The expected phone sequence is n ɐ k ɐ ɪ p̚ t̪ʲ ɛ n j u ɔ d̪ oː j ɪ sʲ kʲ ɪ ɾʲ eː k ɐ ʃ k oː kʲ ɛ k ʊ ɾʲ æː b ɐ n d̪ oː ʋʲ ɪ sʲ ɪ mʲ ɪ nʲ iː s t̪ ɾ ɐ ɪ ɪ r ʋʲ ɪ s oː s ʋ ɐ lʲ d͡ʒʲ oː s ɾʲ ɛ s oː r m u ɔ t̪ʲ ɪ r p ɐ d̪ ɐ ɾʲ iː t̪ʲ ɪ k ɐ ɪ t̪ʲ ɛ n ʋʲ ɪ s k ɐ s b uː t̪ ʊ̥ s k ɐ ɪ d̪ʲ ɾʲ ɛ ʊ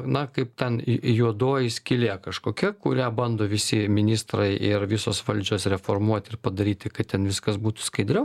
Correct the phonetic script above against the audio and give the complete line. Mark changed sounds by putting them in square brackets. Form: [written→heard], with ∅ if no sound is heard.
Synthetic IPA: n ɐ k ɐ ɪ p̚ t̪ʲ ɛ n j u ɔ d̪ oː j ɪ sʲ kʲ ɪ [ɾʲ→lʲ] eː k ɐ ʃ k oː kʲ ɛ k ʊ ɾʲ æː b ɐ n d̪ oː ʋʲ ɪ sʲ ɪ mʲ ɪ nʲ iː s t̪ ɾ ɐ ɪ ɪ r ʋʲ ɪ s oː s ʋ ɐ lʲ d͡ʒʲ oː s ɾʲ ɛ [s→f] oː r m u ɔ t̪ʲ ɪ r p ɐ d̪ ɐ ɾʲ iː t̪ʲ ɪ k ɐ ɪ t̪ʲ ɛ n ʋʲ ɪ s k ɐ s b uː t̪ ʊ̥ s k ɐ ɪ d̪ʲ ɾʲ ɛ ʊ